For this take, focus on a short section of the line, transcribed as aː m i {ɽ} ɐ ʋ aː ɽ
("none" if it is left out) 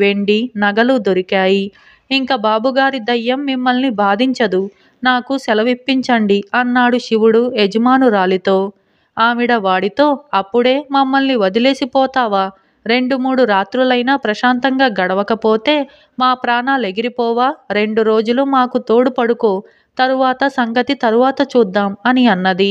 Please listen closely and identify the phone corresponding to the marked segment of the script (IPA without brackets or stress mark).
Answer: ɽ